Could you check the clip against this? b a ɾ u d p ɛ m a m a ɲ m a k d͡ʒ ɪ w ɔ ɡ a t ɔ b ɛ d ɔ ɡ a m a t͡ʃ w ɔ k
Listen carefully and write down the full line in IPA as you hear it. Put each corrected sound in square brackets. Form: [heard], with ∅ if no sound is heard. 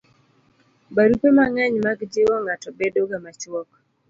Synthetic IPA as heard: b a ɾ u [∅] p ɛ m a [ŋ] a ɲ m a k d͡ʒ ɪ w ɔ [ŋ] a t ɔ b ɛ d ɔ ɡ a m a t͡ʃ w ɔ k